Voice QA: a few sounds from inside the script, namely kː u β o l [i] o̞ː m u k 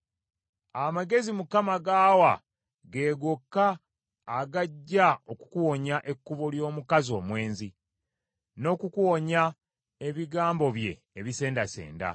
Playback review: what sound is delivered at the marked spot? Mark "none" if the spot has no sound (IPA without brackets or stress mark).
j